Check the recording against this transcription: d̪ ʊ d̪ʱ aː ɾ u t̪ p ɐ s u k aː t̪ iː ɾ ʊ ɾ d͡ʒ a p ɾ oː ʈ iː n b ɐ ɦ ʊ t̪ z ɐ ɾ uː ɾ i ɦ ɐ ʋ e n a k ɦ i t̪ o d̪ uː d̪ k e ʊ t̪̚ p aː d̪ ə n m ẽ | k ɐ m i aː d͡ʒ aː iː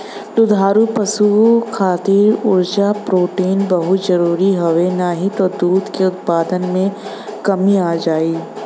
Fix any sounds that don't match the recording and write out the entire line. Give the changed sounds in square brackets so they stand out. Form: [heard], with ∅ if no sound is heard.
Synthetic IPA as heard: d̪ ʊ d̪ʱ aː ɾ u [∅] p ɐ s u [kʰ] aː t̪ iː ɾ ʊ ɾ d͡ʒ a p ɾ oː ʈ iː n b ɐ ɦ ʊ t̪ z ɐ ɾ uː ɾ i ɦ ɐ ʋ e n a [∅] ɦ i t̪ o d̪ uː d̪ k e ʊ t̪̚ p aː d̪ ə n m ẽ | k ɐ m i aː d͡ʒ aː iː

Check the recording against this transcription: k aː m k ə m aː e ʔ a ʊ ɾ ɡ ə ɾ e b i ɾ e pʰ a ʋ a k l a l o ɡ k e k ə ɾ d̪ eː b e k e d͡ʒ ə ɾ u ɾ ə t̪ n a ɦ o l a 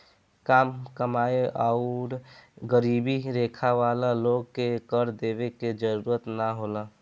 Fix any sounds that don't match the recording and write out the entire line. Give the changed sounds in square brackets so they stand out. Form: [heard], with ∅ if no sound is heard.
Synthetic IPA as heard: k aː m k ə m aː e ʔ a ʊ ɾ ɡ ə ɾ [i] b i ɾ e [kʰ] a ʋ a [∅] l a l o ɡ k e k ə ɾ d̪ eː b e k e d͡ʒ ə ɾ u ɾ ə t̪ n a ɦ o l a

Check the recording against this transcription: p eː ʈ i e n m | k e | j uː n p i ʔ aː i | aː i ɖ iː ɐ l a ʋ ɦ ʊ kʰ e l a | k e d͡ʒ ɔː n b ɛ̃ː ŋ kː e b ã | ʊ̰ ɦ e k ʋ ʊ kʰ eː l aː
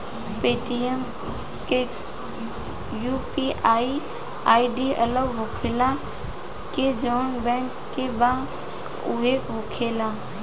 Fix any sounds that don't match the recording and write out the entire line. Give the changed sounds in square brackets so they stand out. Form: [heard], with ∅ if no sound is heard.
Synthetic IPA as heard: p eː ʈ i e [∅] m | k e | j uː [∅] p i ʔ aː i | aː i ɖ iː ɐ l [ə] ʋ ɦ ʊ kʰ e l a | k e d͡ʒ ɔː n b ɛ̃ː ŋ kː e b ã | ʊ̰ ɦ e k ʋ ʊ kʰ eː l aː

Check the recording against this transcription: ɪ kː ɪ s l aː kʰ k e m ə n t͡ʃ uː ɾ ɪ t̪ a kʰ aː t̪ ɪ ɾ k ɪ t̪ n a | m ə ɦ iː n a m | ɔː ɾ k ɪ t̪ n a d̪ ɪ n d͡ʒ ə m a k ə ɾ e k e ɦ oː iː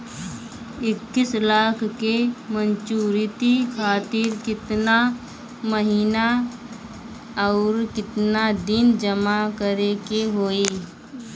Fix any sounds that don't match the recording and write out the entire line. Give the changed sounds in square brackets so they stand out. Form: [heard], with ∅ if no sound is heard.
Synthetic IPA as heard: ɪ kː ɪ s l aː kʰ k e m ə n t͡ʃ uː ɾ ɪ t̪ [i] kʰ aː t̪ ɪ ɾ k ɪ t̪ n a | m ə ɦ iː n a [∅] | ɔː ɾ k ɪ t̪ n a d̪ ɪ n d͡ʒ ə m a k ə ɾ e k e ɦ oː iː

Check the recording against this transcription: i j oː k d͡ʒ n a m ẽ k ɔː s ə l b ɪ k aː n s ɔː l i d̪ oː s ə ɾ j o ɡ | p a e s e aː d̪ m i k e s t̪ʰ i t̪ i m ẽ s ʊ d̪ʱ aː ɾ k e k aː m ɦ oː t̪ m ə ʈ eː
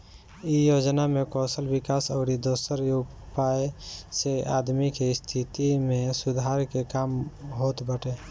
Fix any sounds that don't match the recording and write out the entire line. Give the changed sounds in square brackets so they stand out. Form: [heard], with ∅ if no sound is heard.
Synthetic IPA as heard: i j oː [∅] d͡ʒ n a m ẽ k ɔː s ə l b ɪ k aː [∅] s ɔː [ɾ] i d̪ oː s ə ɾ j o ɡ | p a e s e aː d̪ m i k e s t̪ʰ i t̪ i m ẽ s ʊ d̪ʱ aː ɾ k e k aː m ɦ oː t̪ [b] ə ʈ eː

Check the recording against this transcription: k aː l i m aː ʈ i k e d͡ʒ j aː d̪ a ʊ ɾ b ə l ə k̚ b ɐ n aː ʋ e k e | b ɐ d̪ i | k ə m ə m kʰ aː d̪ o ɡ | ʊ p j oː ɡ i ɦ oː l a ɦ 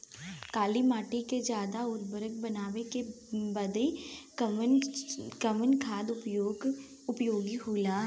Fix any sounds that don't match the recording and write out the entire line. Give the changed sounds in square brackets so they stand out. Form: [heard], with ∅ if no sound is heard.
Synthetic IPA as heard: k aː l i m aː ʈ i k e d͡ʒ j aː d̪ a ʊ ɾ b ə [ɾ] ə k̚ b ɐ n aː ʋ e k e | b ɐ d̪ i | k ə m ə [n] kʰ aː d̪ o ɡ | ʊ p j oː ɡ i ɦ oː l a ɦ

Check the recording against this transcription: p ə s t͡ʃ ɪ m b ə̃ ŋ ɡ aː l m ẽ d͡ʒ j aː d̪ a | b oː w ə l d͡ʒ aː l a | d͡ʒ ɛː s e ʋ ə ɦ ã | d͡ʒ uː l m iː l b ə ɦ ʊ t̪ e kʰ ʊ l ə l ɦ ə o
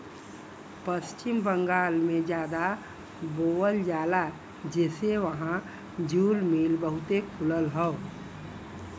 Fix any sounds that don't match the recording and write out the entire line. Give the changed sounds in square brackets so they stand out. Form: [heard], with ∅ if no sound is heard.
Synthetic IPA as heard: p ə s t͡ʃ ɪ m b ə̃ ŋ ɡ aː l m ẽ d͡ʒ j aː d̪ a | b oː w ə l d͡ʒ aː l a | d͡ʒ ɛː s e ʋ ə ɦ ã | d͡ʒ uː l m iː l b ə ɦ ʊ t̪ e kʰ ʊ l ə l ɦ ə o

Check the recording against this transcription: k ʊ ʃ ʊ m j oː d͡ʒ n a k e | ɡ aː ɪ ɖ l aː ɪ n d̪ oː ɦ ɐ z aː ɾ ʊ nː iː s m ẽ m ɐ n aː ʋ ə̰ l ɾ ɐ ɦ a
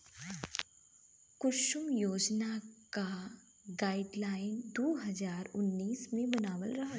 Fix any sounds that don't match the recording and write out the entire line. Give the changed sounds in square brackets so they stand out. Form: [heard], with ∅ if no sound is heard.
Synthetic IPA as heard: k ʊ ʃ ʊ m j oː d͡ʒ n a k [a] | ɡ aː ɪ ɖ l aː ɪ n d̪ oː ɦ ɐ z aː ɾ ʊ nː iː s m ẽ [b] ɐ n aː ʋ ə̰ l ɾ ɐ ɦ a

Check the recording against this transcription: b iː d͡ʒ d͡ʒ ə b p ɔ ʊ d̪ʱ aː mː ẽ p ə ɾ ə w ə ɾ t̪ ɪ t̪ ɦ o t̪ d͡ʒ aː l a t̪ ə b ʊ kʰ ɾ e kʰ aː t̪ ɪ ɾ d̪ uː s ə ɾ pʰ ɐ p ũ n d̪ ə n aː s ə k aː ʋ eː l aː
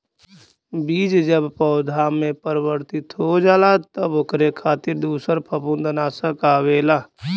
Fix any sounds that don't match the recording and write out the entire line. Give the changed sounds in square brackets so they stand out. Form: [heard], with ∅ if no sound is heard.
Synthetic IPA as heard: b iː d͡ʒ d͡ʒ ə b p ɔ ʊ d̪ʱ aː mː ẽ p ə ɾ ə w ə ɾ t̪ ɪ t̪ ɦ o [∅] d͡ʒ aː l a t̪ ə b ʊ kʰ ɾ e kʰ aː t̪ ɪ ɾ d̪ uː s ə ɾ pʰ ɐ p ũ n d̪ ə n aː s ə k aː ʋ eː l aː

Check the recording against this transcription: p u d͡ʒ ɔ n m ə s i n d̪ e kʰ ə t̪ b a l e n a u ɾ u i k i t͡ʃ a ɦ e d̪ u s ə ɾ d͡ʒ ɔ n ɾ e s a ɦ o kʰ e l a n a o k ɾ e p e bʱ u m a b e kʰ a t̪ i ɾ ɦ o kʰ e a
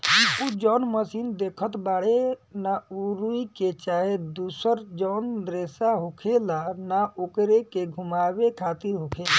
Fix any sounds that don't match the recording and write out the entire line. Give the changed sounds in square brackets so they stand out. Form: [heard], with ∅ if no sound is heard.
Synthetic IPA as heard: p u d͡ʒ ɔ n m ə s i n d̪ e kʰ ə t̪ b a [ɽ] e n a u ɾ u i k [e] t͡ʃ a ɦ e d̪ u s ə ɾ d͡ʒ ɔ n ɾ e s a ɦ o kʰ e l a n a o k ɾ e [k] e [ɡʱ] u m a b e kʰ a t̪ i ɾ ɦ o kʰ e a

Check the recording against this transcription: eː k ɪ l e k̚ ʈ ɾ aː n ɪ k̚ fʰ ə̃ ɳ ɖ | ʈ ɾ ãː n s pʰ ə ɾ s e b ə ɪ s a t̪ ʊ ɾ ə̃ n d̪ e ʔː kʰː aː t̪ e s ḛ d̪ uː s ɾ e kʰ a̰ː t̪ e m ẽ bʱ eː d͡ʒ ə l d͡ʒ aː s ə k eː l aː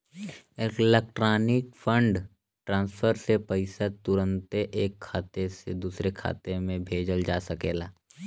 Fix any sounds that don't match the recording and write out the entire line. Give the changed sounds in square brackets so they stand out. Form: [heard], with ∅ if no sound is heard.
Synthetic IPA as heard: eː k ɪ l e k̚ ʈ ɾ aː n ɪ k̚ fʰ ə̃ ɳ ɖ | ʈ ɾ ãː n s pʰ ə ɾ s e [p] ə ɪ s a t̪ ʊ ɾ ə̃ n [t̪] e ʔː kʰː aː t̪ e s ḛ d̪ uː s ɾ e kʰ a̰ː t̪ e m ẽ bʱ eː d͡ʒ ə l d͡ʒ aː s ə k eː l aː

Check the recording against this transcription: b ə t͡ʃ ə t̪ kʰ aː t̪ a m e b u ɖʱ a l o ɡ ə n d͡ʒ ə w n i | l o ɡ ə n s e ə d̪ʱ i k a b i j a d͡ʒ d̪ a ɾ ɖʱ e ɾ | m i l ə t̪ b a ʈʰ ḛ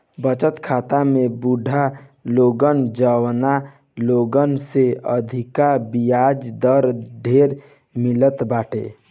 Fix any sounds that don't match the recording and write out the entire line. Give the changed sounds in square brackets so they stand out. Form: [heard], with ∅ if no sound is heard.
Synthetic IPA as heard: b ə t͡ʃ ə t̪ kʰ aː t̪ a m e b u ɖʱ a l o ɡ ə n d͡ʒ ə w n [a] | l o ɡ ə n s e ə d̪ʱ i k a b i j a d͡ʒ d̪ [ə] ɾ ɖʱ e ɾ | m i l ə t̪ b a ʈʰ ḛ

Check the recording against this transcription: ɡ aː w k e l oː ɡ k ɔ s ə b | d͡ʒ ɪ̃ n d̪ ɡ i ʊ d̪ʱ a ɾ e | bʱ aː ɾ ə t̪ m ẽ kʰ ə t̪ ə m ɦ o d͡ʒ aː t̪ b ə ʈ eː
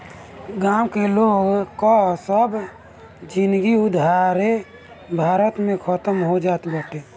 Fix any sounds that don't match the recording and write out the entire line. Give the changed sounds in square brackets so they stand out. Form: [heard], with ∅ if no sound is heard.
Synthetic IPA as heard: ɡ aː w k e l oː ɡ k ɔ s ə b | d͡ʒ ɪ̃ n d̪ ɡ i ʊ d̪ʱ a ɾ e | bʱ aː ɾ ə t̪ m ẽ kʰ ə t̪ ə m ɦ o d͡ʒ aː t̪ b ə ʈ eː

